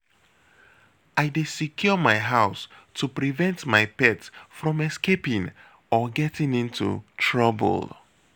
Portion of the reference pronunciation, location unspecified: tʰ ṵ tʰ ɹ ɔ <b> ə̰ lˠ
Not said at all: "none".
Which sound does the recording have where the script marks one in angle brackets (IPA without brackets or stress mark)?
b